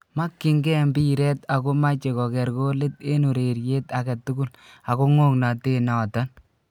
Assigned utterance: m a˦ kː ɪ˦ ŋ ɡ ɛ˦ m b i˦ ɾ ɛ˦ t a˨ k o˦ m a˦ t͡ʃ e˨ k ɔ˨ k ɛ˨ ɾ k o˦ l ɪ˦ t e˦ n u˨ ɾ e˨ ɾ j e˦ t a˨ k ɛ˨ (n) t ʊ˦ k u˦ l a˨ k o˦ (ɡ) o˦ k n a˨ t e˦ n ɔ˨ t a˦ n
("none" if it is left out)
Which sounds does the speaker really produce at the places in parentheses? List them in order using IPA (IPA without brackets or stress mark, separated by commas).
none, ŋ